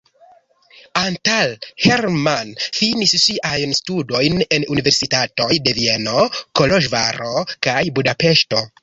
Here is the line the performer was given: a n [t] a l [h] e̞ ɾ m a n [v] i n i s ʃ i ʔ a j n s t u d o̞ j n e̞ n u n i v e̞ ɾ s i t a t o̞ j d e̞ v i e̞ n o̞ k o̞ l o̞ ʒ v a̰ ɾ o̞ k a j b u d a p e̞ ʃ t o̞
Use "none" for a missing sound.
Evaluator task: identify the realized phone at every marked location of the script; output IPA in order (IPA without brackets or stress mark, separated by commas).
t, h, f